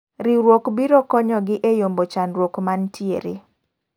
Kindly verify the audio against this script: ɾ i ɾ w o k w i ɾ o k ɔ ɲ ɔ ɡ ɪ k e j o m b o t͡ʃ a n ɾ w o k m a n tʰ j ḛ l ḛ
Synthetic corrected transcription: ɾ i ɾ w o k b i ɾ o k ɔ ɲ ɔ ɡ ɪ ʔ e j o m b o t͡ʃ a n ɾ w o k m a n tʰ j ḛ ɾ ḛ